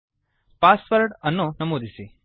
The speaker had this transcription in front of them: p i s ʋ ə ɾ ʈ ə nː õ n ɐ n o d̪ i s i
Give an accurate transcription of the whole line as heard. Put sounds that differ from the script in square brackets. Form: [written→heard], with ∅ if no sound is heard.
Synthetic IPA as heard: p [i→a] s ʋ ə ɾ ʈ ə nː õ n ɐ [n→m] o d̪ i s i